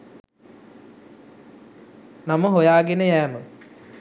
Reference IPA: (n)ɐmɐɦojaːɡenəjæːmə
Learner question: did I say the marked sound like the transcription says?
yes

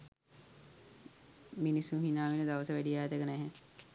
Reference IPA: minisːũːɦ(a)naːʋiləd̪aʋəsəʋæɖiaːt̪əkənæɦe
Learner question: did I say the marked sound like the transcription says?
no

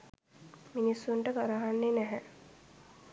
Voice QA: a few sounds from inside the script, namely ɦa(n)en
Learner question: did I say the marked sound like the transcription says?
no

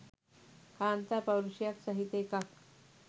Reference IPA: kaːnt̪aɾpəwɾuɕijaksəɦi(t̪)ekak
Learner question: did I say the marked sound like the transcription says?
yes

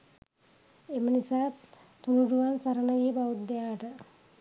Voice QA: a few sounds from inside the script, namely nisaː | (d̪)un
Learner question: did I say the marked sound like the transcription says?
no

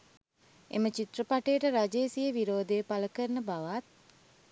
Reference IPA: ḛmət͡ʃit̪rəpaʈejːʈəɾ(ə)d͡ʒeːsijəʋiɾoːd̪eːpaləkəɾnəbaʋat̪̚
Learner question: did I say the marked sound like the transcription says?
no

